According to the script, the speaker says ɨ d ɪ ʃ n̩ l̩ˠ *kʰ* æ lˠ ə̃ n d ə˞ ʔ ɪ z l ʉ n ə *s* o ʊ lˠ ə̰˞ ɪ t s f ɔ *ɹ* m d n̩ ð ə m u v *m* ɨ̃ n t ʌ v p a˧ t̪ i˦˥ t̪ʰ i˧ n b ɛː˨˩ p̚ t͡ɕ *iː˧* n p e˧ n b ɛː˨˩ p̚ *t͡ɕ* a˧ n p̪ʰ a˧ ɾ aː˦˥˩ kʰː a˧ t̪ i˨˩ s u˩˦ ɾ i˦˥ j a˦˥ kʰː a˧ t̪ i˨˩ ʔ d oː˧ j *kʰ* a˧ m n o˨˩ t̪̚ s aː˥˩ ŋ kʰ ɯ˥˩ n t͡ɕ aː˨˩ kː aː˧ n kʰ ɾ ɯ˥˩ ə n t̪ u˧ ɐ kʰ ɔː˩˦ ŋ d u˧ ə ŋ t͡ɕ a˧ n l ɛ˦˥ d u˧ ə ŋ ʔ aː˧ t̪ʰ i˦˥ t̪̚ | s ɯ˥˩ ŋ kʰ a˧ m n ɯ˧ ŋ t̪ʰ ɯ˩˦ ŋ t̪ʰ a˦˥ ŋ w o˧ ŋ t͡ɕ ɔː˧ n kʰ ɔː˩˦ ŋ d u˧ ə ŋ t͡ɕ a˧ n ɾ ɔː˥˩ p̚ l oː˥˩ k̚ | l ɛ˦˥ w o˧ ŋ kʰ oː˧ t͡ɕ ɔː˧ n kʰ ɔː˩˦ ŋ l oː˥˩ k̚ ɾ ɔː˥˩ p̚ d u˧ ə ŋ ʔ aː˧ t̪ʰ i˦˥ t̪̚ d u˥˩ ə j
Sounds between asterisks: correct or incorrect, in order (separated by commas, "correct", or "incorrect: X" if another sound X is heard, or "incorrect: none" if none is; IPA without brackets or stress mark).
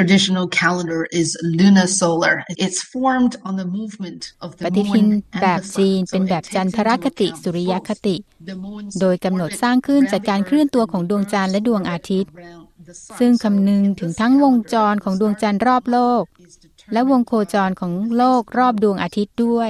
correct, correct, correct, correct, correct, correct, incorrect: k